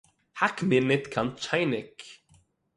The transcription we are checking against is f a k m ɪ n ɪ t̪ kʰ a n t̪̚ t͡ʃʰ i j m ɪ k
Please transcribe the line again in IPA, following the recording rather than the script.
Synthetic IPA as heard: h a k m ɪ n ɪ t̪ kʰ a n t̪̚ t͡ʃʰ a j n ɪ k